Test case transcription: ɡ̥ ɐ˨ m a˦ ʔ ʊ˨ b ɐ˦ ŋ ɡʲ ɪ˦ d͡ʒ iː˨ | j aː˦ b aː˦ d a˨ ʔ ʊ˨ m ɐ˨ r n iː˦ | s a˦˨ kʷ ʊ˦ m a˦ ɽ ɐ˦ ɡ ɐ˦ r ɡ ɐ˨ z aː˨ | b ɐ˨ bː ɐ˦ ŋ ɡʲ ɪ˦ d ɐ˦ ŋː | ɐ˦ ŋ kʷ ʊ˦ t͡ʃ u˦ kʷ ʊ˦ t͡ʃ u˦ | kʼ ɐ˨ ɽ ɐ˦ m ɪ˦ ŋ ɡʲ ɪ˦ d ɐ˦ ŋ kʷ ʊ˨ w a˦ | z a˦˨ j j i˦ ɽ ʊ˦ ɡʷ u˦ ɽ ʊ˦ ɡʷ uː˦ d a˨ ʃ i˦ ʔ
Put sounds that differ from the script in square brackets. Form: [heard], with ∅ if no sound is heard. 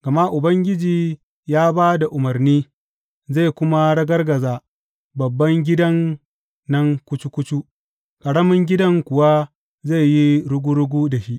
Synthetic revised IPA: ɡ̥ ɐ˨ m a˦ ʔ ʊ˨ b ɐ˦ ŋ ɡʲ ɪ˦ d͡ʒ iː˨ | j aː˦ b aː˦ d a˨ ʔ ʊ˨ m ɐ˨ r n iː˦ | [z] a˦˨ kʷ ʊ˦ m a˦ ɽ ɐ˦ ɡ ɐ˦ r ɡ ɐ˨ z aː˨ | b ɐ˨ bː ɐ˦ ŋ ɡʲ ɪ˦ d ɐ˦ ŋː | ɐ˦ ŋ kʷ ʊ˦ t͡ʃ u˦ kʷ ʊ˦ t͡ʃ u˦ | kʼ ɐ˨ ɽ ɐ˦ m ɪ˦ ŋ ɡʲ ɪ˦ d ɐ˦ ŋ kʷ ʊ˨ w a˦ | z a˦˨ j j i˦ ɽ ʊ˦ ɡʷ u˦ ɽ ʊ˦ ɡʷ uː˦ d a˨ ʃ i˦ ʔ